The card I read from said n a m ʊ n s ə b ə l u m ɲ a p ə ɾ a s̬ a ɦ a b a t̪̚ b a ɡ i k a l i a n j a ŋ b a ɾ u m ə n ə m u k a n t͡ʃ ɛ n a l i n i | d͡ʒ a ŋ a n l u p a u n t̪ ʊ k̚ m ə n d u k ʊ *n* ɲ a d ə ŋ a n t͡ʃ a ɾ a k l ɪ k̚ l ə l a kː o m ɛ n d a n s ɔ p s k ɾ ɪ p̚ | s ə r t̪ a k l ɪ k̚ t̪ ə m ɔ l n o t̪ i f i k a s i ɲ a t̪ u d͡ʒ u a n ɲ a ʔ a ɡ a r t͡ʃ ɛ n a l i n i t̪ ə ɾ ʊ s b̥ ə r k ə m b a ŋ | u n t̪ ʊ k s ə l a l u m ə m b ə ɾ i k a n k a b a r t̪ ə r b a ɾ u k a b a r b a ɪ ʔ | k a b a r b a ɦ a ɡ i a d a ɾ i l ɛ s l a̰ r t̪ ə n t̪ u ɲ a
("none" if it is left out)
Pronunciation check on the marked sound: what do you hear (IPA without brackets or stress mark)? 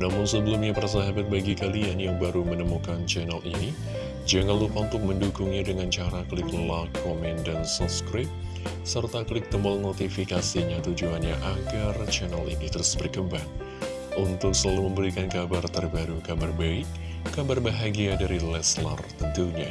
ŋ